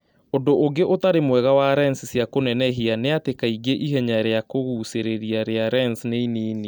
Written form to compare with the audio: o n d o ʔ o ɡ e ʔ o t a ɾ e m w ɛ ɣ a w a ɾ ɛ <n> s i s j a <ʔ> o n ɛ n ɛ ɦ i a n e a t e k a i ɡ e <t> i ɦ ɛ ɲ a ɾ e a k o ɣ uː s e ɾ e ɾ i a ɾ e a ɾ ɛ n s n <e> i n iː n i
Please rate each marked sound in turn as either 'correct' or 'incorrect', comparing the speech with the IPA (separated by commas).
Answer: correct, incorrect, incorrect, correct